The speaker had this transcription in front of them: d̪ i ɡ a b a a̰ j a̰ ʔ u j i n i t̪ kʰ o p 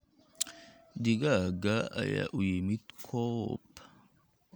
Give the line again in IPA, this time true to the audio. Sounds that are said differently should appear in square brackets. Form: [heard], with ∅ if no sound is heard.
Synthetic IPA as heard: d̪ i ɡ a [ɡ] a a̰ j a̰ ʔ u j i [m] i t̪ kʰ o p